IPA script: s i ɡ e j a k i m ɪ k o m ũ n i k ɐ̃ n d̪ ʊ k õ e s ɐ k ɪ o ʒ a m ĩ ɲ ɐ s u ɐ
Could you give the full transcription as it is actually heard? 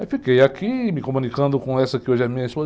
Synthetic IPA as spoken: f i k e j a k i m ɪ k o m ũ n i k ɐ̃ n d̪ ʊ k õ ɛ s ɐ k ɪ o ʒ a m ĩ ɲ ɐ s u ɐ